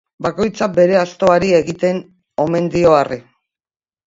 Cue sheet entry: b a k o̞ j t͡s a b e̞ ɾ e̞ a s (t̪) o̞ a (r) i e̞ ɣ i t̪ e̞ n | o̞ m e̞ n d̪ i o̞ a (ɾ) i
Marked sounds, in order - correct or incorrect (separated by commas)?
correct, incorrect, incorrect